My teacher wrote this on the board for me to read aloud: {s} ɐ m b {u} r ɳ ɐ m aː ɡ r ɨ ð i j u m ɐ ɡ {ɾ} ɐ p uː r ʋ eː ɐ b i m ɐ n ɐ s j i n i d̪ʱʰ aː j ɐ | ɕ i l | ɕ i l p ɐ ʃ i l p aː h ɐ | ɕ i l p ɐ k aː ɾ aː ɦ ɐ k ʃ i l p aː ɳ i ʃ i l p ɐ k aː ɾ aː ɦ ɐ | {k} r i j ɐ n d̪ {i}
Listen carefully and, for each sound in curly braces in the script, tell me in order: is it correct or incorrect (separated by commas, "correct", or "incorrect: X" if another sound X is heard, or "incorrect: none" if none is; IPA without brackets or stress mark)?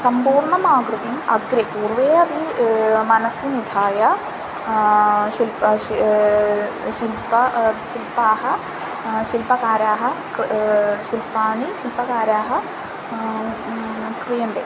correct, incorrect: uː, correct, correct, incorrect: e